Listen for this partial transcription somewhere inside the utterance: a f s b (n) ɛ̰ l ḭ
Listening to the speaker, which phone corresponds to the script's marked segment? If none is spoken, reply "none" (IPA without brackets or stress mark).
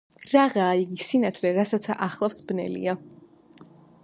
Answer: n